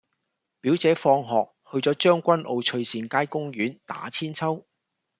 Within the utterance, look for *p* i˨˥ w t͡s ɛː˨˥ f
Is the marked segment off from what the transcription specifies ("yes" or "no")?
no